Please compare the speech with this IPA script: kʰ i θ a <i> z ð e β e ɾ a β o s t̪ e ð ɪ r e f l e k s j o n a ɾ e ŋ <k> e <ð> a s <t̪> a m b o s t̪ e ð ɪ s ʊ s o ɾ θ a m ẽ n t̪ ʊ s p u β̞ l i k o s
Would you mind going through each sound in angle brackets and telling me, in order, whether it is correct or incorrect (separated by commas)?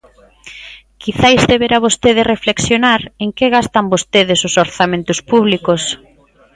incorrect, correct, incorrect, correct